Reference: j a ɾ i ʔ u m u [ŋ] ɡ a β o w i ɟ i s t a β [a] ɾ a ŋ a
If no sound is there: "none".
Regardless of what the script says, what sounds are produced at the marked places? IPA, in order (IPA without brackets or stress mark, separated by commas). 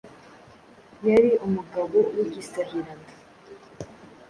none, i